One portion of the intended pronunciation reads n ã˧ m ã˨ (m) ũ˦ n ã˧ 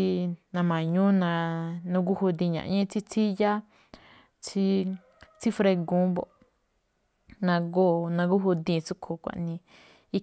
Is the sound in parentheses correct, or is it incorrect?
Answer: incorrect